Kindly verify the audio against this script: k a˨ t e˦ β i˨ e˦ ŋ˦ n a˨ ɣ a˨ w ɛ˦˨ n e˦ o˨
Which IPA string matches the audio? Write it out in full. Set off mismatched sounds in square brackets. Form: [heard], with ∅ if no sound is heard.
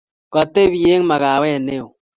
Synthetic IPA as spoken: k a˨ t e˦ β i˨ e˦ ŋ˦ [m] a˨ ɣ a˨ w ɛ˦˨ n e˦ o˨